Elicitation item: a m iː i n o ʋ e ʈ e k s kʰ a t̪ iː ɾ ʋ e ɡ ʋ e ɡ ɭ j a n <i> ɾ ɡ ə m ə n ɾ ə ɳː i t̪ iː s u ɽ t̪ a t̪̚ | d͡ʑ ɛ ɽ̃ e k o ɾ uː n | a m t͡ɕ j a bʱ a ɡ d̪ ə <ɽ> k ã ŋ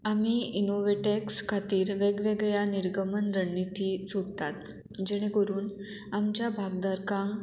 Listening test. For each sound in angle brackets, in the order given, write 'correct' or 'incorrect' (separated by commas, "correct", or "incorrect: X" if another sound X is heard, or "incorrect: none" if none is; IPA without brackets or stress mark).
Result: correct, incorrect: ɾ